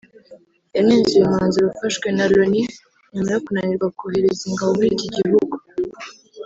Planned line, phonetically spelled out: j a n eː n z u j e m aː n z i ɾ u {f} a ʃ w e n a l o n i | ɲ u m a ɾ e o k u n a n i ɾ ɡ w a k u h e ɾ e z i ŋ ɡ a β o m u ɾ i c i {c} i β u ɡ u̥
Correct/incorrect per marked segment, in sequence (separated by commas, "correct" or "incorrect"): correct, incorrect